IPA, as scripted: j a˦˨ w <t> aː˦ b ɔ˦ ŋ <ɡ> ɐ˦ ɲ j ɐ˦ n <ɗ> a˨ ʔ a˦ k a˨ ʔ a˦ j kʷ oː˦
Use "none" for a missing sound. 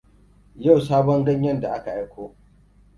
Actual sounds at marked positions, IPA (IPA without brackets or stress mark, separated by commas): s, ɡ, d